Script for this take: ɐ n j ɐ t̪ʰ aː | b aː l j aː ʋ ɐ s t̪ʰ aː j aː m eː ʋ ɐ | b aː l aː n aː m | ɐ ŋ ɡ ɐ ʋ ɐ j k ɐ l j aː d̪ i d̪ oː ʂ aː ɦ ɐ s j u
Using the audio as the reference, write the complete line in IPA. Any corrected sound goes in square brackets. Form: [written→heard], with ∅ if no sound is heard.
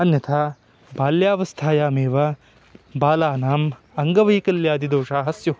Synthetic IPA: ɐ n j ɐ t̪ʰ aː | b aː l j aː ʋ ɐ s t̪ʰ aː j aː m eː ʋ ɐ | b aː l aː n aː m | ɐ ŋ ɡ ɐ ʋ ɐ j k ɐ l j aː d̪ i d̪ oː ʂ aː ɦ ɐ s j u